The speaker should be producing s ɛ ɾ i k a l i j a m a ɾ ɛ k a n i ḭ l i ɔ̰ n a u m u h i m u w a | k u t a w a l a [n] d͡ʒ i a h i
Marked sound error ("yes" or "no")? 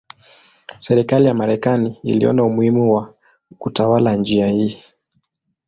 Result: no